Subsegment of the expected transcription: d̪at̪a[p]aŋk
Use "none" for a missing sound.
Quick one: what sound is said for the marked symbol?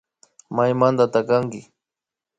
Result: k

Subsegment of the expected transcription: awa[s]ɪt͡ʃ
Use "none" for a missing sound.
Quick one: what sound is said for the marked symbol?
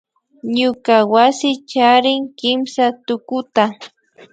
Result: s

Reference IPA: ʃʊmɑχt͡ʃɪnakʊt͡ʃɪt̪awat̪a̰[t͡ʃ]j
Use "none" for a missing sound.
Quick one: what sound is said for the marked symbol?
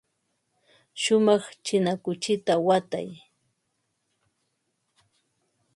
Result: none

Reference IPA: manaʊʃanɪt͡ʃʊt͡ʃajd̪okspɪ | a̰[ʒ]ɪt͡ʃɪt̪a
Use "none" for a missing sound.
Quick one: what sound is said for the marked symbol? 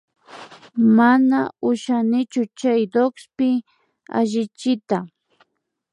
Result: ʒ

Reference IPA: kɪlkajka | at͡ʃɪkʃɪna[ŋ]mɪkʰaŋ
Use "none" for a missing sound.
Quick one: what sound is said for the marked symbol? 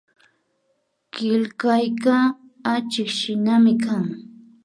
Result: none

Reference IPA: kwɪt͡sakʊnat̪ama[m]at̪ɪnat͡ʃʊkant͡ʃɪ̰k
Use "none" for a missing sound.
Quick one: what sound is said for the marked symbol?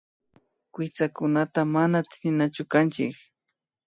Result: n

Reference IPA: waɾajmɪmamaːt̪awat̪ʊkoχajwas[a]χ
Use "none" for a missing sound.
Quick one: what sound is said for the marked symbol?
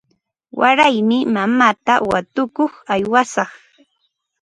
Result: ɑ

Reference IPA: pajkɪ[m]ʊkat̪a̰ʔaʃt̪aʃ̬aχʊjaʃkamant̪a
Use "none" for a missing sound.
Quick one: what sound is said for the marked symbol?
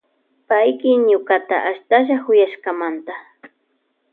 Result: ɲ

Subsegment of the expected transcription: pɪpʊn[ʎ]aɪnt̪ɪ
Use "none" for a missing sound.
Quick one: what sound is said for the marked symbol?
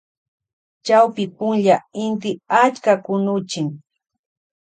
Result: ʎ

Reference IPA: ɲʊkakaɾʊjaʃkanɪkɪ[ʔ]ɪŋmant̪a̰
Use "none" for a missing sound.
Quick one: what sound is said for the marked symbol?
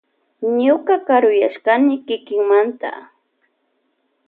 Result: k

